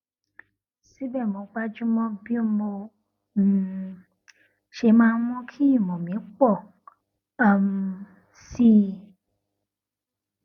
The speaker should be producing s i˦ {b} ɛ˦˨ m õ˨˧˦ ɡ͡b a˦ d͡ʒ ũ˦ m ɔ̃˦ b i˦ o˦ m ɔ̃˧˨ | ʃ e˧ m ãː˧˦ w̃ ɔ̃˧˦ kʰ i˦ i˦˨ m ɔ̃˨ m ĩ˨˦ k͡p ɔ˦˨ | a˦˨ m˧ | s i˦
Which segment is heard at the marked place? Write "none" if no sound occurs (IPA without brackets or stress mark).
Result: b